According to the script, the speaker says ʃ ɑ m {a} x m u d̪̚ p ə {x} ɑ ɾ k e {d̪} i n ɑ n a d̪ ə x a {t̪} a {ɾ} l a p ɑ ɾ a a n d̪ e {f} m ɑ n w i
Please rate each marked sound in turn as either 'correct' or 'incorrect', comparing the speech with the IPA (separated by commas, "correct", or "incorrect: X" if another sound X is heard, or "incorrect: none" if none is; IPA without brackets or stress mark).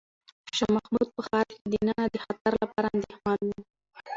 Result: correct, correct, correct, correct, correct, incorrect: x